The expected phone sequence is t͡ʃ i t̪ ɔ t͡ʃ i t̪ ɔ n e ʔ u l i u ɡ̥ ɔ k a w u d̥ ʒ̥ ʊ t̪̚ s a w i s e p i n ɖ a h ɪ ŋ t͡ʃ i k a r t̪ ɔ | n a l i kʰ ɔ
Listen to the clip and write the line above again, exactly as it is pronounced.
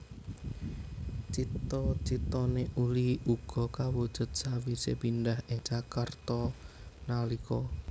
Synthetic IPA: t͡ʃ i t̪ ɔ t͡ʃ i t̪ ɔ n e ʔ u l i u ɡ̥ ɔ k a w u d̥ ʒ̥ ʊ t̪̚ s a w i s e p i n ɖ a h ɪ ŋ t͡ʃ a k a r t̪ ɔ | n a l i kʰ ɔ